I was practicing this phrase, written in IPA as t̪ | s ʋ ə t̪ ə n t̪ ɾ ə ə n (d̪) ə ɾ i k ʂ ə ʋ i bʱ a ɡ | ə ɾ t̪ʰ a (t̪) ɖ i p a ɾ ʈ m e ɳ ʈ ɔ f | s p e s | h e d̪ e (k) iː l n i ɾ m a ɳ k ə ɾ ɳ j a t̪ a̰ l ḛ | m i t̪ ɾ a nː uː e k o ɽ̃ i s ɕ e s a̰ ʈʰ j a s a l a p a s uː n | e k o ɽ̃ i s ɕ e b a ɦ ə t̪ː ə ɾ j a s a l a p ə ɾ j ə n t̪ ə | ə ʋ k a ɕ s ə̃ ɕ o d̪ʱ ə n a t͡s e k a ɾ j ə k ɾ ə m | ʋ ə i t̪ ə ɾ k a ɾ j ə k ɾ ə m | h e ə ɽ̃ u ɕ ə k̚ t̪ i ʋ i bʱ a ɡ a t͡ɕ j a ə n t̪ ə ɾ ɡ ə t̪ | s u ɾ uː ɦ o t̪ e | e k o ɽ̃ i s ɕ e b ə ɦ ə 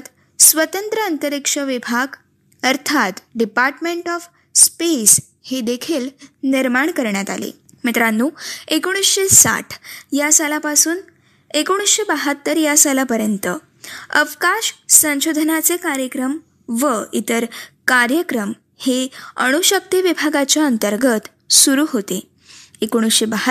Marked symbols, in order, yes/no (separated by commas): no, yes, no